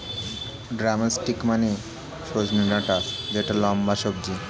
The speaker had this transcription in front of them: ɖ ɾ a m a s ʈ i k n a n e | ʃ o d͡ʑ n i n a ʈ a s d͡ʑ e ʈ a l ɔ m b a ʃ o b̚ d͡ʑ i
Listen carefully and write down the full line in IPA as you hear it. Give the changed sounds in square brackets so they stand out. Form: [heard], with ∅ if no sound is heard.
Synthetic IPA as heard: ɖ ɾ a m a s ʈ i k [m] a n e | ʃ o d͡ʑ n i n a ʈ a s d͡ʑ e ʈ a l ɔ m b a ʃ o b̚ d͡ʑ i